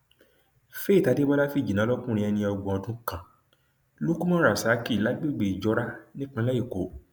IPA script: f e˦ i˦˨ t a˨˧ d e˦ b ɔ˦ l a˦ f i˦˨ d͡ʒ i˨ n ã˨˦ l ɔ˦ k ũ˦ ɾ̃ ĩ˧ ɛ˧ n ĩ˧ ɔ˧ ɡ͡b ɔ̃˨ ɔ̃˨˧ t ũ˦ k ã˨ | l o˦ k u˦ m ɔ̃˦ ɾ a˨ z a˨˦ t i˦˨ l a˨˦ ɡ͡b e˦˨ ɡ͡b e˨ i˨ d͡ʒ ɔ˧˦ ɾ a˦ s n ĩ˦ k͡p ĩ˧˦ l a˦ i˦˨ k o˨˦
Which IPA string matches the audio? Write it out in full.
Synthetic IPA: f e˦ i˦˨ t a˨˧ d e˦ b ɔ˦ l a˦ f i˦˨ d͡ʒ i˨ n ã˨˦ l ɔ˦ k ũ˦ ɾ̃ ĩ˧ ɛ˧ n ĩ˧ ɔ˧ ɡ͡b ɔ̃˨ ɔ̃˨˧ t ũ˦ k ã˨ | l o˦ k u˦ m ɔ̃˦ ɾ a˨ s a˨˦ k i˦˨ l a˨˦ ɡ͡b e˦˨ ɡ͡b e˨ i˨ d͡ʒ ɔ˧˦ ɾ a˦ n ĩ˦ k͡p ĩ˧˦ l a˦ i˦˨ k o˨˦